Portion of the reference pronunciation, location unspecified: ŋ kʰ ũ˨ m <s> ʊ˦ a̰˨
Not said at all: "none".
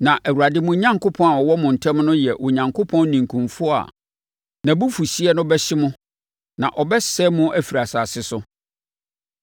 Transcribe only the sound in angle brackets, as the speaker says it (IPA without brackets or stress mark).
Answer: f